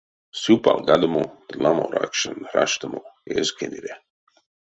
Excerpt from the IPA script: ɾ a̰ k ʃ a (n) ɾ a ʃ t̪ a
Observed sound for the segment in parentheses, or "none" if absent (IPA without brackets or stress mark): n